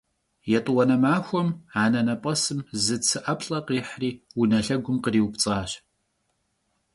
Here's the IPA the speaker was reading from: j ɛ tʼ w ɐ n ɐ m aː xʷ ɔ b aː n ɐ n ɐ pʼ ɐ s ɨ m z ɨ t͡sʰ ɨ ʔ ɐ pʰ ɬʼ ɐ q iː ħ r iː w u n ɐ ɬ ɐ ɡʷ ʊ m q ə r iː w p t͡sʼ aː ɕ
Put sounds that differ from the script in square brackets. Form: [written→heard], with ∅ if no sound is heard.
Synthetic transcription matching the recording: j ɛ tʼ w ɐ n ɐ m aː xʷ ɔ [b→m] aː n ɐ n ɐ pʼ ɐ s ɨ m z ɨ t͡sʰ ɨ ʔ ɐ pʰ ɬʼ ɐ q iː ħ r iː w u n ɐ ɬ ɐ ɡʷ ʊ m q ə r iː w p t͡sʼ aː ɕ